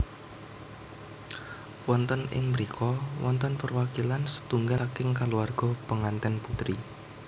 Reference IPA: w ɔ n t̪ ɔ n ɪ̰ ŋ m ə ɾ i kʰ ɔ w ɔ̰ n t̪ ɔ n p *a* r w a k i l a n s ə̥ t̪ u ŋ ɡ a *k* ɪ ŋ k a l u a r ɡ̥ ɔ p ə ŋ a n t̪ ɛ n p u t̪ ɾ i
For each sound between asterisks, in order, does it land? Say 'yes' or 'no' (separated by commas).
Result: no, yes